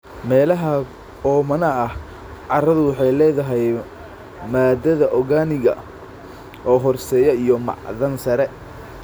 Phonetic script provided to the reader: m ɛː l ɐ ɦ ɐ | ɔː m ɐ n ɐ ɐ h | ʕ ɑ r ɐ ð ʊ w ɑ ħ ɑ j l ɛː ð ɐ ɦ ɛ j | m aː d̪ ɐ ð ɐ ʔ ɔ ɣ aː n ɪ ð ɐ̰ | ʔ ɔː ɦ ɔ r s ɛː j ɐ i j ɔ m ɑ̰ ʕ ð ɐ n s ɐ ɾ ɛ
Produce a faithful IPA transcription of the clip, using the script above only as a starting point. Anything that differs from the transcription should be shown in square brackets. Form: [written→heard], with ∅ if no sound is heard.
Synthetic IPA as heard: m ɛː l ɐ ɦ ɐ | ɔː m ɐ n ɐ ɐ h | ʕ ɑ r ɐ ð ʊ w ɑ ħ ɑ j l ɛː ð ɐ ɦ ɛ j | m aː d̪ ɐ ð ɐ ʔ ɔ ɣ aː n ɪ [ð→ɣ] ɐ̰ | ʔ ɔː ɦ ɔ r s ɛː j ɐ i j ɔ m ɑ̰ ʕ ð ɐ n s ɐ ɾ ɛ